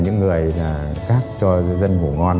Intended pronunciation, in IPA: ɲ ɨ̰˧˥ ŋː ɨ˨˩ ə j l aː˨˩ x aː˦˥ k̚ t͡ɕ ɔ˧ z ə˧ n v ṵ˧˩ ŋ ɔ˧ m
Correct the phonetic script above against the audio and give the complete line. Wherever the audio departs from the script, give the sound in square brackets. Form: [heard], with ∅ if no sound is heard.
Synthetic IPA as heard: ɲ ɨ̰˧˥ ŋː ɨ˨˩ ə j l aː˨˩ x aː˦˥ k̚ t͡ɕ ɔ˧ z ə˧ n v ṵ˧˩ ŋ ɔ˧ [n]